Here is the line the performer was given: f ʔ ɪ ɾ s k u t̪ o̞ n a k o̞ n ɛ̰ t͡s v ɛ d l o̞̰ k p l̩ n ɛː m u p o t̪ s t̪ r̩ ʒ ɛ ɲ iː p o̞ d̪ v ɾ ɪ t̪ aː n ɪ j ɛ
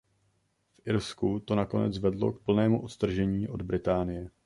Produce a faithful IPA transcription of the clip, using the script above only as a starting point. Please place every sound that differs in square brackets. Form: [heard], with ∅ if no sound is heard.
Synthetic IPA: f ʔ ɪ ɾ s k u t̪ o̞ n a k o̞ n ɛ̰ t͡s v ɛ d l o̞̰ k p l̩ n ɛː m u [ʔ] o t̪ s t̪ r̩ ʒ ɛ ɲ iː [ʔ] o̞ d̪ [b] ɾ ɪ t̪ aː n ɪ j ɛ